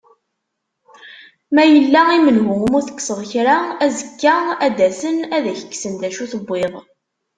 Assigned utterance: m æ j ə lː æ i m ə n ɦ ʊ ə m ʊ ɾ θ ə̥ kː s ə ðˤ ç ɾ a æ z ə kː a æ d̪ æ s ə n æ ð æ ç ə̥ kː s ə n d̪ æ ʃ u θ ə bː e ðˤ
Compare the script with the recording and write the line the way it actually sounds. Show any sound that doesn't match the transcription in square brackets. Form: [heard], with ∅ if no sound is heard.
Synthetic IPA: m æ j ə lː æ i m ə n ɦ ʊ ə m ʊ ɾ θ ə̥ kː s ə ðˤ ç ɾ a æ z ə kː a æ d̪ æ s ə n æ ð æ ç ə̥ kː s ə n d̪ æ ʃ u θ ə bː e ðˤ